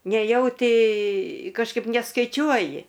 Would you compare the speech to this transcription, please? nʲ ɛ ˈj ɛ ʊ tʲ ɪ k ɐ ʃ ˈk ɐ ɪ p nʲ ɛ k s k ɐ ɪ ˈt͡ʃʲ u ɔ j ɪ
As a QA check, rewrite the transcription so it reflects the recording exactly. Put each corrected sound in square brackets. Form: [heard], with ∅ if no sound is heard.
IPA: nʲ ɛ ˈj ɛ ʊ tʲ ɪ k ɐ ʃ ˈk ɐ ɪ p nʲ ɛ [∅] s k ɐ ɪ ˈt͡ʃʲ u ɔ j ɪ